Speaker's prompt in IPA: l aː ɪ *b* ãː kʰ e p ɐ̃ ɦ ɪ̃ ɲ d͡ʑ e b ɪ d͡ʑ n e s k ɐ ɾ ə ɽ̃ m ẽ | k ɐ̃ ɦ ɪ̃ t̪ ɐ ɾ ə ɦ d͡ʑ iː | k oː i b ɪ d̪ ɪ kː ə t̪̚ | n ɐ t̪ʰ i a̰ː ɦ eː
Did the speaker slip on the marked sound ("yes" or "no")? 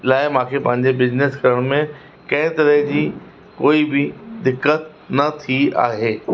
yes